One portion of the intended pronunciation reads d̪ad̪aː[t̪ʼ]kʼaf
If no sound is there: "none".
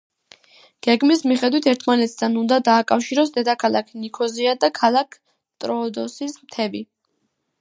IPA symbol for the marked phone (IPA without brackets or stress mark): none